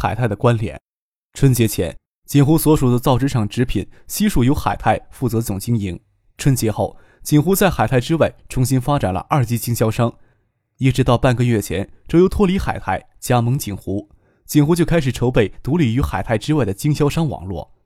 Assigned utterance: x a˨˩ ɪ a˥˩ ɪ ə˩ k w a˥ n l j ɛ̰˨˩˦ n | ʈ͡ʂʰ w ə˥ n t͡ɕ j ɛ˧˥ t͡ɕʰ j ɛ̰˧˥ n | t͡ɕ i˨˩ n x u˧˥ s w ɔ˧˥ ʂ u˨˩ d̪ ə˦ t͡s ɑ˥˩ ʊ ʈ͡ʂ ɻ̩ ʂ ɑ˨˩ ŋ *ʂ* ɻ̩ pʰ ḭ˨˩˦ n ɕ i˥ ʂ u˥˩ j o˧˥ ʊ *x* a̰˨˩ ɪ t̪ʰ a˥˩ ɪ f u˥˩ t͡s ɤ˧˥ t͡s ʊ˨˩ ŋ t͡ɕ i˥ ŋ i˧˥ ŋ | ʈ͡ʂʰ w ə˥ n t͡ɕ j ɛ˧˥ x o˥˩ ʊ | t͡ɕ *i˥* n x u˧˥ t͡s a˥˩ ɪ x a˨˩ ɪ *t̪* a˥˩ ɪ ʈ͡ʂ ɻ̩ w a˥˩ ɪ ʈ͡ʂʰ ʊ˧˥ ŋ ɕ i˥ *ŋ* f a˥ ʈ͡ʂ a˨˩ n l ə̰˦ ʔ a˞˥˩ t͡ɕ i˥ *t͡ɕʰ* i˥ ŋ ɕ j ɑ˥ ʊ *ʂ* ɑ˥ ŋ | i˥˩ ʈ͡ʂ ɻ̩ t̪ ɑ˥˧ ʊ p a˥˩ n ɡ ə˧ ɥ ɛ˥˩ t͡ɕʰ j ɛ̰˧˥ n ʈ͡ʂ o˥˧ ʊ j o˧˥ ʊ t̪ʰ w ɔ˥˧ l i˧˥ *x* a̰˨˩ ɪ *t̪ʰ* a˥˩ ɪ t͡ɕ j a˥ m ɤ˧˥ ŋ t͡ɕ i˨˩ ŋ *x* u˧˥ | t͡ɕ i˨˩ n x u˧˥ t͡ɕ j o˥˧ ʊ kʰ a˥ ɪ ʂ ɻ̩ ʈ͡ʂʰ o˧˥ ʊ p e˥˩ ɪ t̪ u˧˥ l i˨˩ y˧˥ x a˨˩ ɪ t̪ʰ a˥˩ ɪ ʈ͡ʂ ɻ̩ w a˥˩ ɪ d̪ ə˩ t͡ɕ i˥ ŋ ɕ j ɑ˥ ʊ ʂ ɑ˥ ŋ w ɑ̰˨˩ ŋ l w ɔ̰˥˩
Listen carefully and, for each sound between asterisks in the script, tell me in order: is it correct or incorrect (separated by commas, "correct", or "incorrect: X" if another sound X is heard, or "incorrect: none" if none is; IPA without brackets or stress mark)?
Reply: incorrect: ʈ͡ʂ, correct, incorrect: i˨˩, incorrect: t̪ʰ, incorrect: n, incorrect: t͡ɕ, correct, correct, correct, correct